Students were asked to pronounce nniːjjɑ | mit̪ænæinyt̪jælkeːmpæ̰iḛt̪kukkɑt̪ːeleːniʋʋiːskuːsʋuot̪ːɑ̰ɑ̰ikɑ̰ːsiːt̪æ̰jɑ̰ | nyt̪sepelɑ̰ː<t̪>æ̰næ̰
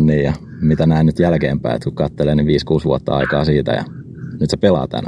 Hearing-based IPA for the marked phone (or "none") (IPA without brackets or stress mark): t̪